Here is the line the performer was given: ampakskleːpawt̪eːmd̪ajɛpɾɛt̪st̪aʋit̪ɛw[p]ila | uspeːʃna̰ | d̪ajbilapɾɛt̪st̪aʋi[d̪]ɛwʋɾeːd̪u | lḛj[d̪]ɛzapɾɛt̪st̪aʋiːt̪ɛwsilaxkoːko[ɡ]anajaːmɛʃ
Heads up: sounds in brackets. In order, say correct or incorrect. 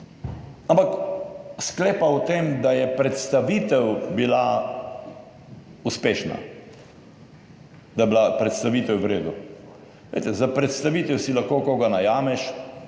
incorrect: b, incorrect: t̪, incorrect: t̪, correct

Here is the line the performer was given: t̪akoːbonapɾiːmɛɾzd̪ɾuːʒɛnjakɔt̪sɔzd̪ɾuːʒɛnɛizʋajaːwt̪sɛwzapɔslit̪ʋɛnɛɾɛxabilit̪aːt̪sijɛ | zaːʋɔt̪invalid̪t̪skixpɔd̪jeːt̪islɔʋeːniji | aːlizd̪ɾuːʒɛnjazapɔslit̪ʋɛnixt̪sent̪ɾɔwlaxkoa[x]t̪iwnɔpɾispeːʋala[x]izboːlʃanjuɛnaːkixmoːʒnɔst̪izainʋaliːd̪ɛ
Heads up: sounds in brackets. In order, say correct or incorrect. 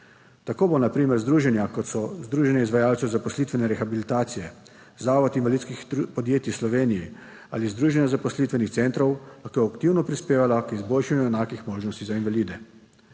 incorrect: k, incorrect: k

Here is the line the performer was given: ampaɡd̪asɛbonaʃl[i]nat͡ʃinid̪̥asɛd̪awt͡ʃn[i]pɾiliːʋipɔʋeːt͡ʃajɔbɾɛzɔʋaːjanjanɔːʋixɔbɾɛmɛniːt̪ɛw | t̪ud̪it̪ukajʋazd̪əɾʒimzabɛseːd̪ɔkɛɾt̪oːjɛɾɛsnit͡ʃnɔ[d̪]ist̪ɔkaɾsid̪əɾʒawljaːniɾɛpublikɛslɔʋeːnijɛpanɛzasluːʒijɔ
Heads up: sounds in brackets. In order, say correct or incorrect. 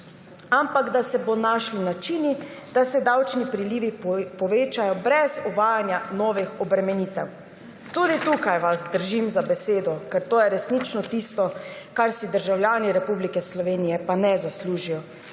correct, correct, incorrect: t̪

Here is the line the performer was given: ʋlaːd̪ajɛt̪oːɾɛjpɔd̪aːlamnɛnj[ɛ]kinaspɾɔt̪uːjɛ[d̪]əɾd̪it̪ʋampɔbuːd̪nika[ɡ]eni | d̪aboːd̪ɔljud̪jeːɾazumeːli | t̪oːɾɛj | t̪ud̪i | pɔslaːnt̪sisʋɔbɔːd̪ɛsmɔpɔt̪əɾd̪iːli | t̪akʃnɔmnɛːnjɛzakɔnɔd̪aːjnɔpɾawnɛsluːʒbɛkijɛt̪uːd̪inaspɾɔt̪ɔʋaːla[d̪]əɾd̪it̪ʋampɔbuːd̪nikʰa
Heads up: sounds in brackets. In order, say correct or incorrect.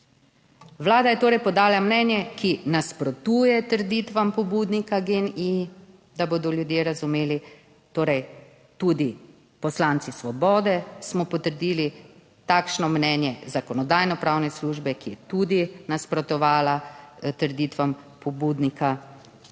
correct, incorrect: t̪, correct, incorrect: t̪

